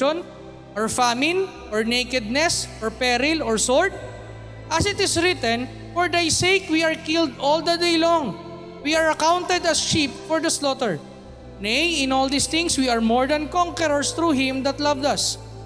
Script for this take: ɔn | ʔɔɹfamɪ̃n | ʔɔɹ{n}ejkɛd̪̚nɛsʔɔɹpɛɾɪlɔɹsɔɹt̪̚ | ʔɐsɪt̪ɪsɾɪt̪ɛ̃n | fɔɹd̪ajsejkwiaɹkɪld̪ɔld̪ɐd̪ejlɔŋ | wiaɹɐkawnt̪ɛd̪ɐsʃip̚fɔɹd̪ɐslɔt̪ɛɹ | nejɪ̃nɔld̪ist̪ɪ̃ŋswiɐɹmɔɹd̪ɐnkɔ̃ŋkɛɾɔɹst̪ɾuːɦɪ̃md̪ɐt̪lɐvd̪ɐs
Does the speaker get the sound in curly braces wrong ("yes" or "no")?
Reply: no